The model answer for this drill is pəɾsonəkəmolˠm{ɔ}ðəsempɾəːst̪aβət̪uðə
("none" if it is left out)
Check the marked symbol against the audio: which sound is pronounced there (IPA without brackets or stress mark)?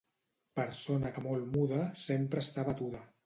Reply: u